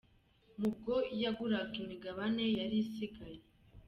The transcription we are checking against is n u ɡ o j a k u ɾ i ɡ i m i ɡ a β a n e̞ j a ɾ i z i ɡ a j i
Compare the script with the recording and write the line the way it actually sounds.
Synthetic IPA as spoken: m u ɡ o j a ɡ u ɾ a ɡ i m i ɡ a β a n e̞ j a ɾ i s i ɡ a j e